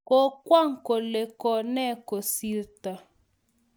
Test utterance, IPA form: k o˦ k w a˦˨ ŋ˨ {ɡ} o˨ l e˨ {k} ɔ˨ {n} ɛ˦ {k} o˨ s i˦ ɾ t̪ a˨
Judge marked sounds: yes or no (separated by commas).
no, yes, yes, yes